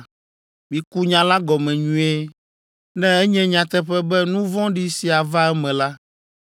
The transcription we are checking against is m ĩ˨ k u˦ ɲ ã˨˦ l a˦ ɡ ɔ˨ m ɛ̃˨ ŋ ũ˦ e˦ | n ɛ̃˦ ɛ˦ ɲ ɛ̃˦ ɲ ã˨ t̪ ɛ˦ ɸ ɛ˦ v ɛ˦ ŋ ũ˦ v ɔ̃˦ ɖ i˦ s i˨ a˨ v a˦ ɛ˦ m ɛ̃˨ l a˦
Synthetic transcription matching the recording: m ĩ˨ k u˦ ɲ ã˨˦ l a˦ ɡ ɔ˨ m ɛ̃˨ ɲ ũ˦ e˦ | n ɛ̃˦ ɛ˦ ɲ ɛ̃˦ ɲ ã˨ t̪ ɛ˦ ɸ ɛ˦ b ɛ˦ n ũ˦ v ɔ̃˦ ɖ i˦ s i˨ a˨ v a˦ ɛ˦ m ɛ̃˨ l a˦